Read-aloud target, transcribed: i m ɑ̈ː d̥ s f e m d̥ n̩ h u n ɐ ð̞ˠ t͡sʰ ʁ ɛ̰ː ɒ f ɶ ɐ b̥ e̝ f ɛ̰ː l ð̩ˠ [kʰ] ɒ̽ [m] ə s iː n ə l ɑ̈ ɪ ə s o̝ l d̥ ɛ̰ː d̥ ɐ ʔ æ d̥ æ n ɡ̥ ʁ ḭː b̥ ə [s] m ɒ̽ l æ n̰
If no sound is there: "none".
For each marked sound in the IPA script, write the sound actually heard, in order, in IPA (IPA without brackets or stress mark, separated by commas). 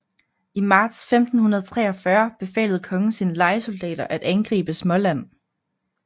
kʰ, ŋ, s